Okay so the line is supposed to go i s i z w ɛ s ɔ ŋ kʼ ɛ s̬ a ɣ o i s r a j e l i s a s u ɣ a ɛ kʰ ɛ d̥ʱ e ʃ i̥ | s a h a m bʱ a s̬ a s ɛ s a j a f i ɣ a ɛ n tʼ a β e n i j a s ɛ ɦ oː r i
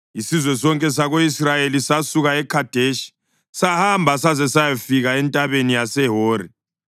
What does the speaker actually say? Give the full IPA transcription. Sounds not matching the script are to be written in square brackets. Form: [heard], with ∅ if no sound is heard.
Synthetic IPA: i s i z w ɛ s ɔ ŋ kʼ ɛ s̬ a ɣ o i s r a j e l i s a s u ɣ a ɛ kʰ [a] d̥ʱ e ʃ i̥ | s a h a m bʱ a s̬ a [z] ɛ s a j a f i ɣ a ɛ n tʼ a β e n i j a s ɛ ɦ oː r i